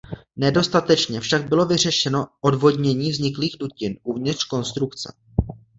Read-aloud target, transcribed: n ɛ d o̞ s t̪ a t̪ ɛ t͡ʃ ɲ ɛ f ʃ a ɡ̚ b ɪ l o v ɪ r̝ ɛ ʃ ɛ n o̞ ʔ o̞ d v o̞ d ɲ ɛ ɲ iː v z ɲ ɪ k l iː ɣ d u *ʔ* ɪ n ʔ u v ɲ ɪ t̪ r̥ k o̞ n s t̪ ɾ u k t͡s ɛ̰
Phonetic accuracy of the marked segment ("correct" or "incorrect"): incorrect